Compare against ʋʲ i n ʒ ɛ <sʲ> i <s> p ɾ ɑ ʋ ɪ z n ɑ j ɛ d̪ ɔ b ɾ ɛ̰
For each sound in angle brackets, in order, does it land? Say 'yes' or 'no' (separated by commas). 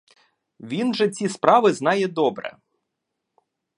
no, yes